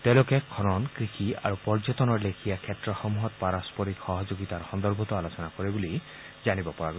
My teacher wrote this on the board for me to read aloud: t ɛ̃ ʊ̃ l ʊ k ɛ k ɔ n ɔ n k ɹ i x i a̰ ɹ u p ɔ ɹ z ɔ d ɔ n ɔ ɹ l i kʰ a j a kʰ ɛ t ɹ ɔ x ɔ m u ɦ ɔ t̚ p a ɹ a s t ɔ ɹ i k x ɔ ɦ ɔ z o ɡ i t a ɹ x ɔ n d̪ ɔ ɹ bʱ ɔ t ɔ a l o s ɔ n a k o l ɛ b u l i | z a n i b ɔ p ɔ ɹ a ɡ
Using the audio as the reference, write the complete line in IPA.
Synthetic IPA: t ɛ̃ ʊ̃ l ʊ k ɛ kʰ ɔ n ɔ n k ɹ i x i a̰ ɹ u p ɔ ɹ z ɔ t ɔ n ɔ ɹ l e kʰ i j a kʰ ɛ t ɹ ɔ x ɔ m u ɦ ɔ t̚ p a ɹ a s p ɔ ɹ i k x ɔ ɦ ɔ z o ɡ i t a ɹ x ɔ n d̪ ɔ ɹ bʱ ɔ t ɔ a l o s ɔ n a k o ɹ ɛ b u l i | z a n i b ɔ p ɔ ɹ a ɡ